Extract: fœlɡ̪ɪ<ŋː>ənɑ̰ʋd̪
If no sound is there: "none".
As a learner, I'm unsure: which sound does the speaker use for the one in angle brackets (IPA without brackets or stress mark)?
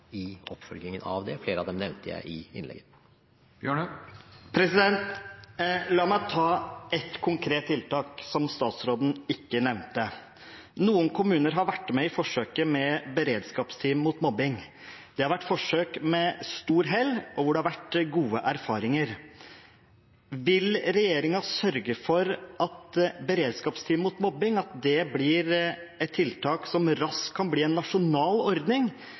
ŋ